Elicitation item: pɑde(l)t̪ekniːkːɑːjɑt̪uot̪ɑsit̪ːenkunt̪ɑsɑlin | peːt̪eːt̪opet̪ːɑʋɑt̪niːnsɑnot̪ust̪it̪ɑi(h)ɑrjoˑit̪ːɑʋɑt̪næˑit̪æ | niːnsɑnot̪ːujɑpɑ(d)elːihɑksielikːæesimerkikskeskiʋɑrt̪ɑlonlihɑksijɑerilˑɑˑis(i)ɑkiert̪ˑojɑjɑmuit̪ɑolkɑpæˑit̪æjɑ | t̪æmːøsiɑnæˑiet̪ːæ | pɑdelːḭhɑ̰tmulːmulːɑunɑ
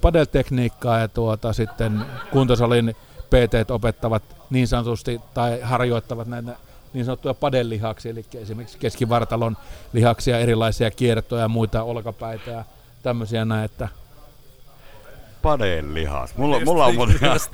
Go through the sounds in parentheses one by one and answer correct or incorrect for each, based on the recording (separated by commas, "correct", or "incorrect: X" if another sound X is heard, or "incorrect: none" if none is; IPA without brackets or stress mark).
correct, correct, correct, correct